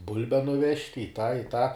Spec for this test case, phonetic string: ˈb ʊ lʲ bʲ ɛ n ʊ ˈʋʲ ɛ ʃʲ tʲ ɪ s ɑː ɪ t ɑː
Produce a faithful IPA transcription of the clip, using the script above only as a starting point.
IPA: ˈb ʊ lʲ bʲ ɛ n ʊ ˈʋʲ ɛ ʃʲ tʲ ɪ t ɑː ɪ t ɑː